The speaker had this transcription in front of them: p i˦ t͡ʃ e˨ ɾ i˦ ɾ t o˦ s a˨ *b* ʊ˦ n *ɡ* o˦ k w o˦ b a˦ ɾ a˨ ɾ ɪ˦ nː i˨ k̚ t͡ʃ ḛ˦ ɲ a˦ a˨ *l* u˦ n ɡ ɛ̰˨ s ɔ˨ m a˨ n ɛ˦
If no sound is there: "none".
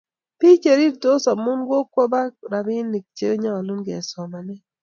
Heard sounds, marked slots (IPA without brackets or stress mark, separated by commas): m, ɡ, l